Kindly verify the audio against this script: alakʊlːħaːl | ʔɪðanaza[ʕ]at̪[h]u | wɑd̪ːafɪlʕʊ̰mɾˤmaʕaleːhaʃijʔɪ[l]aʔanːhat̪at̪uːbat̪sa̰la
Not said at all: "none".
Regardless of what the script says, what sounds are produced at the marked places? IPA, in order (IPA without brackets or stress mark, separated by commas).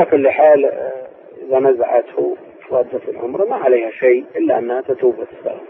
ʕ, h, lː